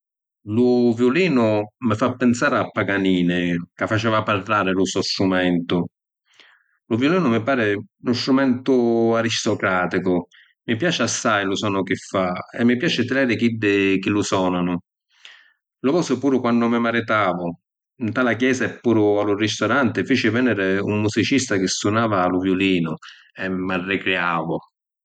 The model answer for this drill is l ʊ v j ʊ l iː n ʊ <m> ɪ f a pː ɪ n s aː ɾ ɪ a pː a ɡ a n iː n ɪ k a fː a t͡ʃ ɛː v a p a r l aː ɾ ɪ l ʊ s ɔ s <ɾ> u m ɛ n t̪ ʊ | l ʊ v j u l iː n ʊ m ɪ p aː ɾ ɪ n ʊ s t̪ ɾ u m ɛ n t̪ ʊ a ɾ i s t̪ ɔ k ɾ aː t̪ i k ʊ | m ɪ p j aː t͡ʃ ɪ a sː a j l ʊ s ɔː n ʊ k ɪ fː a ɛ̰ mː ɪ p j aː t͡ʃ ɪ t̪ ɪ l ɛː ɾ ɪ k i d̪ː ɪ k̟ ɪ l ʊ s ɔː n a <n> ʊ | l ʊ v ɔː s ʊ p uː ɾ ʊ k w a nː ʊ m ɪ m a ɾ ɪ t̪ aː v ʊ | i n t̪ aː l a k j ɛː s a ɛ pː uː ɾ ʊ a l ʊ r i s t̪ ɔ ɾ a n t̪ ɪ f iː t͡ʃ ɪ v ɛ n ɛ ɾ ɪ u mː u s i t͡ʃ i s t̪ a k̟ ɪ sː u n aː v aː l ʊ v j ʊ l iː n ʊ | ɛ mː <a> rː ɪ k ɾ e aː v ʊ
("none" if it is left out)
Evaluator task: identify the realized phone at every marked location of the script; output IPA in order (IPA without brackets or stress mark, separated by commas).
m, ɾ, n, a